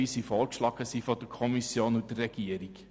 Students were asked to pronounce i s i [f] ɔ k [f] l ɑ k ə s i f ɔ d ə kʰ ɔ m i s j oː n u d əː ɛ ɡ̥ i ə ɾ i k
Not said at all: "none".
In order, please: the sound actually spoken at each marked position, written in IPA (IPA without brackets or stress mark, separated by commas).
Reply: f, ʃ